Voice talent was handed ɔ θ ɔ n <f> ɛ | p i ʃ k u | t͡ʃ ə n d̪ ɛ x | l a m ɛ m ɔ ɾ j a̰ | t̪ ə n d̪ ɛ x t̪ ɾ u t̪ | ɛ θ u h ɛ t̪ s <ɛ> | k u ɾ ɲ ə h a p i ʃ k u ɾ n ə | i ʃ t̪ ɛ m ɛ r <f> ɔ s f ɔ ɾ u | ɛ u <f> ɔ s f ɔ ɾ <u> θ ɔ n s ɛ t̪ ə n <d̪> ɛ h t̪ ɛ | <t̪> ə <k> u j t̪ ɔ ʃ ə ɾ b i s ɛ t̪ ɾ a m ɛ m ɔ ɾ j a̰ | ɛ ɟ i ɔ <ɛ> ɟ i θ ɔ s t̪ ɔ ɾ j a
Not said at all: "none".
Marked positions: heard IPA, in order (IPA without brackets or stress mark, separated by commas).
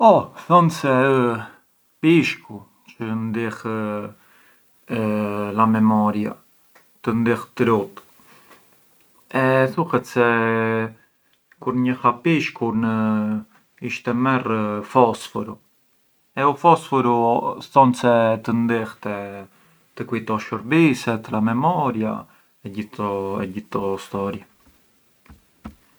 s, ɛ, f, f, u, d̪, t̪, k, ɛ